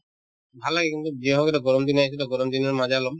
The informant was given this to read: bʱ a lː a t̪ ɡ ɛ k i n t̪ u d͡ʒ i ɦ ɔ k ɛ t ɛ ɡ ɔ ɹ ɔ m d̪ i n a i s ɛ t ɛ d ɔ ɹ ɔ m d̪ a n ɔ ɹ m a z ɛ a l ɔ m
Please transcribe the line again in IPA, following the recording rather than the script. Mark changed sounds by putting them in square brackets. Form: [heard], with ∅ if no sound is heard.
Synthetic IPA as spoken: bʱ a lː a [∅] ɡ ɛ k i n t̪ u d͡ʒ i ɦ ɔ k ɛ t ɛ ɡ ɔ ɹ ɔ m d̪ i n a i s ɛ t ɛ [ɡ] ɔ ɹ ɔ m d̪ [i] n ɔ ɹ m a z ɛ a l ɔ m